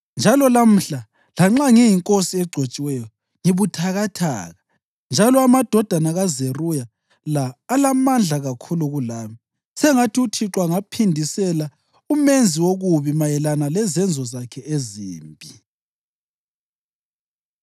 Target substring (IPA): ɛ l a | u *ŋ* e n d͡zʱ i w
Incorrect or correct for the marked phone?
incorrect: m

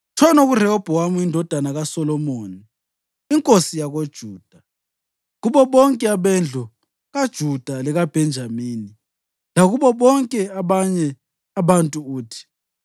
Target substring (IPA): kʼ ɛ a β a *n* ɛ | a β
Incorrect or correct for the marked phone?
incorrect: ɲ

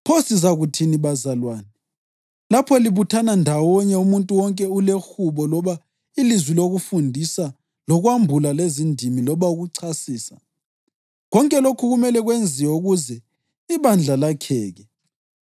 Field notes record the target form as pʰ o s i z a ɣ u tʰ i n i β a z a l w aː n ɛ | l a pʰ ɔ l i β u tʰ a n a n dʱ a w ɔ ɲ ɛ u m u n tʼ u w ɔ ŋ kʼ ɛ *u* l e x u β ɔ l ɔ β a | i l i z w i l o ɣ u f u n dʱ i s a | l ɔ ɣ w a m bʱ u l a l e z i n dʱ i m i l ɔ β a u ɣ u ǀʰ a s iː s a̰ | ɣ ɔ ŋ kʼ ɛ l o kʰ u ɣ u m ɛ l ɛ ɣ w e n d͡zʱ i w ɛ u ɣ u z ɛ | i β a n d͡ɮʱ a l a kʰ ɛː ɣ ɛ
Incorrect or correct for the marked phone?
correct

